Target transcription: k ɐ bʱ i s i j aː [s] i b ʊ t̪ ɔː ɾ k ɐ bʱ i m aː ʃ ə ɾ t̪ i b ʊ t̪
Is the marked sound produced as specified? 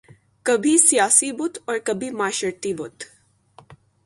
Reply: yes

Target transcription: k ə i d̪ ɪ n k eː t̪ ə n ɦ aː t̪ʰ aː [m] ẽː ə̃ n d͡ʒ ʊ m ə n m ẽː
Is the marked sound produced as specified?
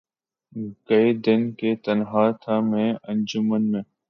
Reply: yes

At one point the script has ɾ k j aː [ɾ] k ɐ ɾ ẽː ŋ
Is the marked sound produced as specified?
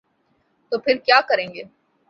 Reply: no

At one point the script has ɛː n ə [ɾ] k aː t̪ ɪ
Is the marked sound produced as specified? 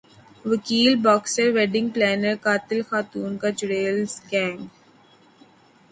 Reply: yes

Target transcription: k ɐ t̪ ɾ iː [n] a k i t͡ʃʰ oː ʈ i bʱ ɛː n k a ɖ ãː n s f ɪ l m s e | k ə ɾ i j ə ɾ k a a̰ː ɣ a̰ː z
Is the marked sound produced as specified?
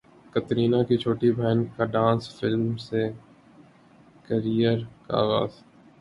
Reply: yes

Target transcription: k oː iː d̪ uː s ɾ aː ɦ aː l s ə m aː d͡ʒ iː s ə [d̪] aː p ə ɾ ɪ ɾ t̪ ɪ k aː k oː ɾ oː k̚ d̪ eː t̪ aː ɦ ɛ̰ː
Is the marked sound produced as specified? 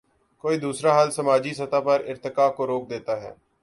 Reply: no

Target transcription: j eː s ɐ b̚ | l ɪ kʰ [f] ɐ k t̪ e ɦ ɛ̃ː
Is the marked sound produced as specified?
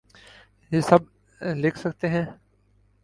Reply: no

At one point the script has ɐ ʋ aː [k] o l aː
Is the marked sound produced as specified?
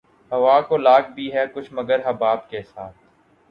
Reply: yes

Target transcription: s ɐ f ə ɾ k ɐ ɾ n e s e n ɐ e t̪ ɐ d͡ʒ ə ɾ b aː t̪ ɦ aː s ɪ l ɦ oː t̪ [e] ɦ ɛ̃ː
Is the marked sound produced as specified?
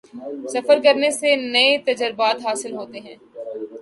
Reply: yes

